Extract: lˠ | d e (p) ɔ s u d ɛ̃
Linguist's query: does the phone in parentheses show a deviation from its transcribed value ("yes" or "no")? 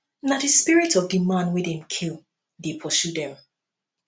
yes